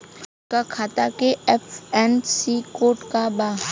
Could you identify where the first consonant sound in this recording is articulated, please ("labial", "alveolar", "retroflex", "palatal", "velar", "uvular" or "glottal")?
velar